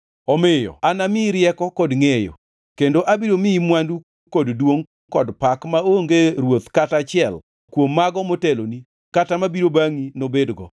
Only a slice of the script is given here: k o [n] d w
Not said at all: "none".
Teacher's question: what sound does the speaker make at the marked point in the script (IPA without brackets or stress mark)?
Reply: d